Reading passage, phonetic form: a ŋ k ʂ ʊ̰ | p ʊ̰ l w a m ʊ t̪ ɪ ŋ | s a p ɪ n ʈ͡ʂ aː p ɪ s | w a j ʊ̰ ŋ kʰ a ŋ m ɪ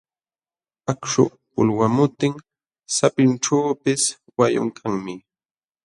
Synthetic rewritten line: a k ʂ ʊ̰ | p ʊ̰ l w a m ʊ t̪ ɪ ŋ | s a p ɪ n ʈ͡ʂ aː p ɪ s | w a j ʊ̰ ŋ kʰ a ŋ m ɪ

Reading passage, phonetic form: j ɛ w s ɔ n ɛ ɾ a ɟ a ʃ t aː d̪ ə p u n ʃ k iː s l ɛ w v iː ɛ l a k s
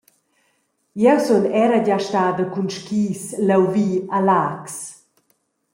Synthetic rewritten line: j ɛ w s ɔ n ɛ ɾ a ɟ a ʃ t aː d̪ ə k u n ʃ k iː s l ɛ w v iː a l a k s

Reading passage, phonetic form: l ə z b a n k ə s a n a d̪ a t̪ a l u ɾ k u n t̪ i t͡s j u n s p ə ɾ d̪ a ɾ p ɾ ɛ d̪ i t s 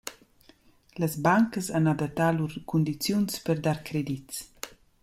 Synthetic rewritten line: l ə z b a ŋ k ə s a n a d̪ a t̪ a l u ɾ k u n d̪ i t͡s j u n s p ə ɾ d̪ a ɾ k ɾ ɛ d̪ i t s

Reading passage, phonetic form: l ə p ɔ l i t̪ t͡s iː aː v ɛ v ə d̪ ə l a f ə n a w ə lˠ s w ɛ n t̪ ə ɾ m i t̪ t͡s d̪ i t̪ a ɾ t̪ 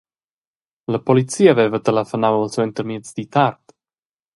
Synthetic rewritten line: l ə p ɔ l i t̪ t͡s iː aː v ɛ v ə t̪ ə l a f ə n a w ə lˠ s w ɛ n t̪ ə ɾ m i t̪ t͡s d̪ i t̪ a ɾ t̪

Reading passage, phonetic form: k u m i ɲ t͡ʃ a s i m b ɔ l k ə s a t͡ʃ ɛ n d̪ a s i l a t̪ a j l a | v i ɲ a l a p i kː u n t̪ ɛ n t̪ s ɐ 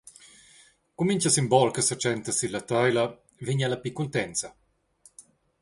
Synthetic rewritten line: k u m i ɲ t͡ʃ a s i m b ɔ l k ə s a t͡ʃ ɛ n t̪ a s i l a t̪ a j l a | v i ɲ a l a p i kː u n t̪ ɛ n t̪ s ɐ

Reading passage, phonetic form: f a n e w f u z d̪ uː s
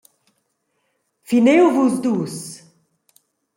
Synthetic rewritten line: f i n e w v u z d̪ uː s

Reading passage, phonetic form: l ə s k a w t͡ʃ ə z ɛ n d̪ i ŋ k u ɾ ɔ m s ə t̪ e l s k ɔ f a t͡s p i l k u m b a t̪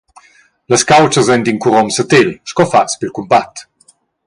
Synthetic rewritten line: l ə s k a w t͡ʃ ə z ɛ n d̪ i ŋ k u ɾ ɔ m s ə t̪ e l ʃ k ɔ f a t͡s p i l k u m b a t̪

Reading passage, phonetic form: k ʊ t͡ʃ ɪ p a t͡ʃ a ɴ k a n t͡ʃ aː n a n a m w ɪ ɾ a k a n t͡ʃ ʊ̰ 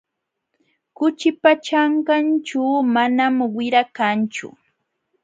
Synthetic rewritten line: k ʊ t͡ʃ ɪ p a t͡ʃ a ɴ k a n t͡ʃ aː m a n a m w ɪ ɾ a k a n t͡ʃ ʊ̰

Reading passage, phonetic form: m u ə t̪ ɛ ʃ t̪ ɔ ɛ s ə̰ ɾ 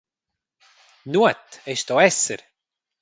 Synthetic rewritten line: n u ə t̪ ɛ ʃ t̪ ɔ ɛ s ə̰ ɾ

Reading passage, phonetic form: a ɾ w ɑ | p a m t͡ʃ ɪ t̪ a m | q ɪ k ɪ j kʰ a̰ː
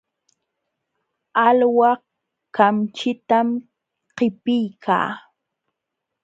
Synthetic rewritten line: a l w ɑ | k a m t͡ʃ ɪ t̪ a m | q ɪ p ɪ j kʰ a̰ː

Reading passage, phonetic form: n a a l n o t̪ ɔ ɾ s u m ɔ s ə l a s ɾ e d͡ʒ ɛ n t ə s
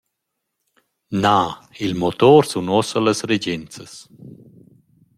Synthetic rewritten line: n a i l m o t̪ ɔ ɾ s u n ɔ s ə l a s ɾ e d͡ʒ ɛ n t͡s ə s

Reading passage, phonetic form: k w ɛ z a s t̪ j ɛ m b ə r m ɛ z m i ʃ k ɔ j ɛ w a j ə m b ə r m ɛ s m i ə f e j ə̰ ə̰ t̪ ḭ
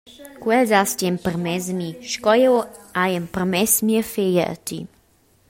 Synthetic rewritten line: k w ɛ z a s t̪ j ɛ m p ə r m ɛ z m i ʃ k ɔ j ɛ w a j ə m p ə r m ɛ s m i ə f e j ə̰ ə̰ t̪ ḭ

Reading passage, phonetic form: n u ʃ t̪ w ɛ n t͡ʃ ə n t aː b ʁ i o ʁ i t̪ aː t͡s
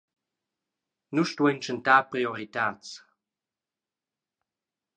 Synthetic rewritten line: n u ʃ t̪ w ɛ n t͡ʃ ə n t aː p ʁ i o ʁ i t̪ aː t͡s

